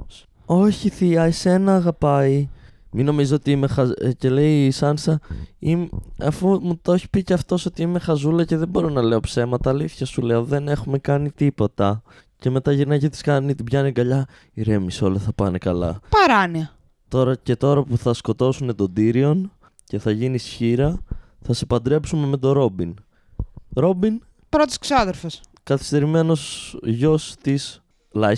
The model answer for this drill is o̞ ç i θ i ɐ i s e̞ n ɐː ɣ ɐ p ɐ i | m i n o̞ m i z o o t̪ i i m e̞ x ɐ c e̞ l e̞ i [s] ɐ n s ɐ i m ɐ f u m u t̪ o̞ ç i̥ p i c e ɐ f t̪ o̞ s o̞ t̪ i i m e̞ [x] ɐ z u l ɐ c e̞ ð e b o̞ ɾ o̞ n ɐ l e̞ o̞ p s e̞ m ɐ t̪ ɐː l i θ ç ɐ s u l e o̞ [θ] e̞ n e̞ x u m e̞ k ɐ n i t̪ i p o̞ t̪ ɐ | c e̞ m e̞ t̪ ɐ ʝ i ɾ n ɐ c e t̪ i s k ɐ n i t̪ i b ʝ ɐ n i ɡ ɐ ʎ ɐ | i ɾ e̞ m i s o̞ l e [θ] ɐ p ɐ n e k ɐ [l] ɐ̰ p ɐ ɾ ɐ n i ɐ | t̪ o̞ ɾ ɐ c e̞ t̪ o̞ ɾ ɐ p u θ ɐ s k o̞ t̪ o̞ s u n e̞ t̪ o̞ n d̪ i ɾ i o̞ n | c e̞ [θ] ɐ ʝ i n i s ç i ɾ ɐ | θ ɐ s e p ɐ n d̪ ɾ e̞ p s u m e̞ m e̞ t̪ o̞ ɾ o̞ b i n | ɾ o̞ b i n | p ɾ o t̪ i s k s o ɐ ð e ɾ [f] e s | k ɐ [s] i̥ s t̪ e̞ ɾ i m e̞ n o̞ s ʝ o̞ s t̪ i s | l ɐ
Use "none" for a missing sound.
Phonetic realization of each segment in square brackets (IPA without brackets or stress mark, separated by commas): s, x, ð, θ, l, θ, f, θ